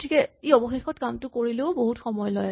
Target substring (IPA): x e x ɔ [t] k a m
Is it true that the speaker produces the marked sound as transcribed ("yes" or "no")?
yes